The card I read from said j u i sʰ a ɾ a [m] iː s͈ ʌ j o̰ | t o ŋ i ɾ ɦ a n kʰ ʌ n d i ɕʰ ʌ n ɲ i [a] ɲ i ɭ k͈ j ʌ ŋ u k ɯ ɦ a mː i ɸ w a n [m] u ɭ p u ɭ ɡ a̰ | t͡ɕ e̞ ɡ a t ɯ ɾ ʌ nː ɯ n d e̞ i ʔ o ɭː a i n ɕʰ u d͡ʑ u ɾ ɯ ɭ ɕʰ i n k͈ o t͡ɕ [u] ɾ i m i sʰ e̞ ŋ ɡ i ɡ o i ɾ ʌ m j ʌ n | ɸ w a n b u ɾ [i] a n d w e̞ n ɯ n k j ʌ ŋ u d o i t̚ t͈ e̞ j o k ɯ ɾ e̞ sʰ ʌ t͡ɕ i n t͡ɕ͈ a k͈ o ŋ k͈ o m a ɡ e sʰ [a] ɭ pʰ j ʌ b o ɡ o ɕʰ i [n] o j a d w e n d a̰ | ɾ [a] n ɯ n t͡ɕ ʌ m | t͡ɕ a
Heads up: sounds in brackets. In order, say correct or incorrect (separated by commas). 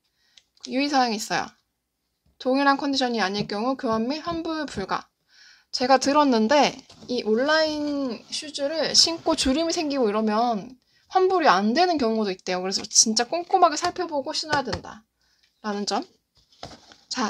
incorrect, correct, incorrect, correct, correct, correct, correct, correct